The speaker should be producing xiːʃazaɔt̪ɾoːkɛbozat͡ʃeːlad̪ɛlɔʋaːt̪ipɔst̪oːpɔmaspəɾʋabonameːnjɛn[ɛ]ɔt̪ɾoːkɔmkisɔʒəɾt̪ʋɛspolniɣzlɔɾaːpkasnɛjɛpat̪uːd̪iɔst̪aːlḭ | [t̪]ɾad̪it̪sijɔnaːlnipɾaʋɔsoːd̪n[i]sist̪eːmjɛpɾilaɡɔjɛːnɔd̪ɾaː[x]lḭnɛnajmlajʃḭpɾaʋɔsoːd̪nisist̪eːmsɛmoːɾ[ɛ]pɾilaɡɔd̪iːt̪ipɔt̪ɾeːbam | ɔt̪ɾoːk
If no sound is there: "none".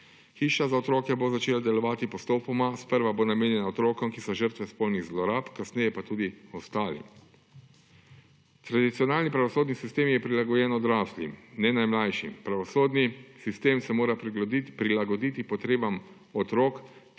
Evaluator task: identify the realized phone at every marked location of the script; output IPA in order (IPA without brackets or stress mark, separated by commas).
a, t̪, i, s, a